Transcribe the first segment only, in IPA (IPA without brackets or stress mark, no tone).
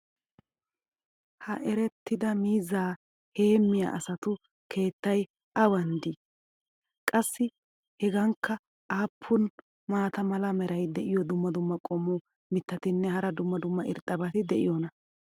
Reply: h